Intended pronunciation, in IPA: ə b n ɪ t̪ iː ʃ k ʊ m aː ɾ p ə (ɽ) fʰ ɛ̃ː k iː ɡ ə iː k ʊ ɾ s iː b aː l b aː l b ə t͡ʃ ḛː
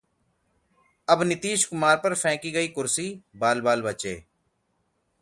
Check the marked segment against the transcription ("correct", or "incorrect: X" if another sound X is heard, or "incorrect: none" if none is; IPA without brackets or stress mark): incorrect: ɾ